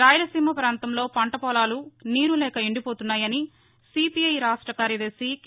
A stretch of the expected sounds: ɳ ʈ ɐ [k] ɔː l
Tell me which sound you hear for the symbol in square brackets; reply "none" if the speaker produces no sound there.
p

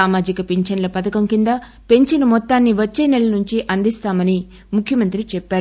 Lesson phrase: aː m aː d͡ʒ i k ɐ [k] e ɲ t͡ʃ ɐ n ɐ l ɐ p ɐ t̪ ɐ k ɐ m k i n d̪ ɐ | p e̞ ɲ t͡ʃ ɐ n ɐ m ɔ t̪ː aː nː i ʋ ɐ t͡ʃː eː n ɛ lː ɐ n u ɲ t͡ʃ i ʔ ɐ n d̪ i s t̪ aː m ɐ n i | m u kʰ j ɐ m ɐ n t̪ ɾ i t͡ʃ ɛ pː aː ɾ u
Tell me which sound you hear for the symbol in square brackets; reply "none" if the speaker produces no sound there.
p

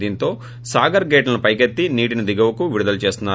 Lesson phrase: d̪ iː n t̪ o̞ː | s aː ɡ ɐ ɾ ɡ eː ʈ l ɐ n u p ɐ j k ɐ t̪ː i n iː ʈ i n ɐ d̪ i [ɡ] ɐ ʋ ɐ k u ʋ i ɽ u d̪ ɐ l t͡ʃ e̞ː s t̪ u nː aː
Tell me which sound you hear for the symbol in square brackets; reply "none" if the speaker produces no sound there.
ɡ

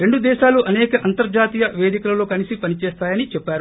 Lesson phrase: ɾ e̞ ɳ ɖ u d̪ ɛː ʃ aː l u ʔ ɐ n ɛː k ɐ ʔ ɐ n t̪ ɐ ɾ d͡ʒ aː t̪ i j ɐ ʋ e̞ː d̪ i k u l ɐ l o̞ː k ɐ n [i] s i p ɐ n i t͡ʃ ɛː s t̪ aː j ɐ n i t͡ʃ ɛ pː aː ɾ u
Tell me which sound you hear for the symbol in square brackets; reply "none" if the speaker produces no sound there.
i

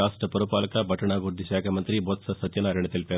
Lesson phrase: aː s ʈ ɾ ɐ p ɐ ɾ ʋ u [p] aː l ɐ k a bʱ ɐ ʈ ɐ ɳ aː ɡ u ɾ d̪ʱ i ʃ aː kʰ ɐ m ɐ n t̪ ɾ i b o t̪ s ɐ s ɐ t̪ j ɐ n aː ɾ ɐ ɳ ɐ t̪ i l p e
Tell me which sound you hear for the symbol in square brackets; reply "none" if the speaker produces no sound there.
p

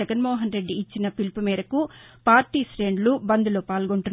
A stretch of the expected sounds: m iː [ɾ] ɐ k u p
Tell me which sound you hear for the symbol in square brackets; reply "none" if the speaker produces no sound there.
ɾ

